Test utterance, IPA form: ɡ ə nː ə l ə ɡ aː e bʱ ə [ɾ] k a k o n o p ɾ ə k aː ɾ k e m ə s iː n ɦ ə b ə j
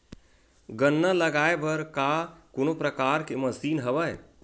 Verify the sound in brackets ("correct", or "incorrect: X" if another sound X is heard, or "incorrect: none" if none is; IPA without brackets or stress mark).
correct